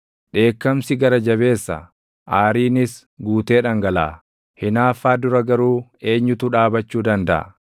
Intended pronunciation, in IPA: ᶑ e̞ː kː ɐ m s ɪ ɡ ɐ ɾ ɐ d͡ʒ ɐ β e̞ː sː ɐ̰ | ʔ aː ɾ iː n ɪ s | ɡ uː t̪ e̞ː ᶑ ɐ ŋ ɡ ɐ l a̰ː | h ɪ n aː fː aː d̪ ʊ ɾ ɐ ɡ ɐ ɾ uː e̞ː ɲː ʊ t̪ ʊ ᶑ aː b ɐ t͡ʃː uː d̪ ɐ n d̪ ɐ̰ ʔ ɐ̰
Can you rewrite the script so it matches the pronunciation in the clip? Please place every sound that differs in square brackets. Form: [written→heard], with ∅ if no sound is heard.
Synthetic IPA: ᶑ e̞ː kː ɐ m s ɪ ɡ ɐ ɾ ɐ d͡ʒ ɐ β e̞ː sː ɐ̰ | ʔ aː ɾ iː n ɪ s | ɡ uː t̪ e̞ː ᶑ ɐ ŋ ɡ ɐ l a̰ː | h ɪ n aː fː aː d̪ ʊ ɾ ɐ ɡ ɐ ɾ uː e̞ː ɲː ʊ t̪ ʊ ᶑ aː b ɐ t͡ʃː uː d̪ ɐ n d̪ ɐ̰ ʔ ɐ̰